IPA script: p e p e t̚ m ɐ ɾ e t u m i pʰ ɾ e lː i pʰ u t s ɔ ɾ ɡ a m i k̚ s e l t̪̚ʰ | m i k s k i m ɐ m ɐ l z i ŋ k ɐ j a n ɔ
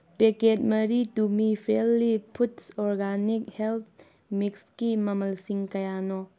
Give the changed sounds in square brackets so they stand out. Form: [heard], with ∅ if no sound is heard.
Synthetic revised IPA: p e [k] e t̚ m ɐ ɾ [i] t u m i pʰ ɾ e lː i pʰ u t s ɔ ɾ ɡ a [n] i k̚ [h] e l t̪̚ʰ | m i k s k i m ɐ m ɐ l [s] i ŋ k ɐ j a n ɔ